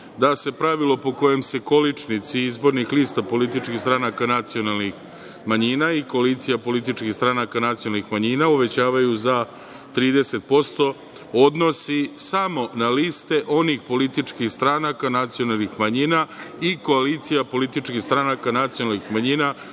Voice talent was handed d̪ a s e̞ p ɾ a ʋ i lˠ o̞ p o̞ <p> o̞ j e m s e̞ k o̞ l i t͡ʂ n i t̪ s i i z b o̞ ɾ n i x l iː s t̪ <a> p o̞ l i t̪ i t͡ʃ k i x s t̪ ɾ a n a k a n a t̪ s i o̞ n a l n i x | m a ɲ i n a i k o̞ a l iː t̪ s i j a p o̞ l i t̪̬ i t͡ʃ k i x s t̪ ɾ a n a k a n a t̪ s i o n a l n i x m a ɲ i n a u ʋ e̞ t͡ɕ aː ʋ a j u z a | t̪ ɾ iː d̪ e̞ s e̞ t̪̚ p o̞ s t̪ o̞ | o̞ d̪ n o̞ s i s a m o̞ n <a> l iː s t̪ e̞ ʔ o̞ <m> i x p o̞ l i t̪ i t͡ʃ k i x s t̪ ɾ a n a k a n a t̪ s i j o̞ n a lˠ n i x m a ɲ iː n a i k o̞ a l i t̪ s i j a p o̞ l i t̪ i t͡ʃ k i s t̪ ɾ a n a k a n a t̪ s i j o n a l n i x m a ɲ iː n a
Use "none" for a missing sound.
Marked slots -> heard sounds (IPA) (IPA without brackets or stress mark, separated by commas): k, a, a, n